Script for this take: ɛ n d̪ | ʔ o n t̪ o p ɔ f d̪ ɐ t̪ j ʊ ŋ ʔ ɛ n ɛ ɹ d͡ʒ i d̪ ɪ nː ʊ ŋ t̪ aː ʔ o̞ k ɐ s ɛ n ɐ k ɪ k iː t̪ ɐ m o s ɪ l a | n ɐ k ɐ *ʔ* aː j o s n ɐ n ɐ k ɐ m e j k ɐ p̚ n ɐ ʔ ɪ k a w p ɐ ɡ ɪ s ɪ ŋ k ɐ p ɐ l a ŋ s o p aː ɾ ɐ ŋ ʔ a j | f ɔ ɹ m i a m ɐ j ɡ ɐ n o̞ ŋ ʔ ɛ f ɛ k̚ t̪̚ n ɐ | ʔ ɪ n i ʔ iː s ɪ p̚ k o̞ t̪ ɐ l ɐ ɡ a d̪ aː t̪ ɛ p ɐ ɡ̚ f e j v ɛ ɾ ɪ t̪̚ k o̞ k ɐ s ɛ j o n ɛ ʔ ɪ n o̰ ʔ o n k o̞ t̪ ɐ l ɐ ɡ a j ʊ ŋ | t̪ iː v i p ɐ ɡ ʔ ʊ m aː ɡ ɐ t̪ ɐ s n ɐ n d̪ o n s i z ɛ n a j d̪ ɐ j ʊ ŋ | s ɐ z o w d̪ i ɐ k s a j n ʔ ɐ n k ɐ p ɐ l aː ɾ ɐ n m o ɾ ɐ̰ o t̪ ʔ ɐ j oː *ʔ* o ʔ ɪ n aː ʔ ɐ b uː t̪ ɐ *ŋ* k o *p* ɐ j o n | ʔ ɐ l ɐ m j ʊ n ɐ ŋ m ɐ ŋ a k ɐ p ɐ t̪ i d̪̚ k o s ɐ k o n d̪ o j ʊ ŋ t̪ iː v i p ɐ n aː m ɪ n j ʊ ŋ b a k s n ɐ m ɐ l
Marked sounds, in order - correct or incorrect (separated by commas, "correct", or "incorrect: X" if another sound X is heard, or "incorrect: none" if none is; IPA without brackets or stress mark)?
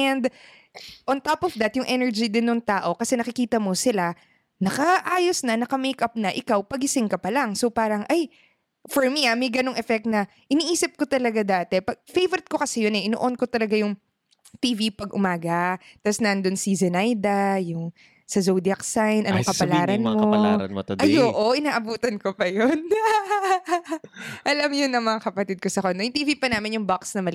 correct, correct, incorrect: n, correct